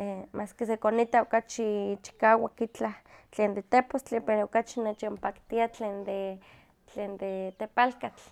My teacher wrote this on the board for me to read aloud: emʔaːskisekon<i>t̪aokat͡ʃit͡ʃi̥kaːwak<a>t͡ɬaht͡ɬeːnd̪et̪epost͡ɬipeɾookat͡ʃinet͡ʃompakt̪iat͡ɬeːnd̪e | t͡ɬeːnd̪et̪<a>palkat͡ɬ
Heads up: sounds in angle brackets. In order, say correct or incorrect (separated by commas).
correct, incorrect, incorrect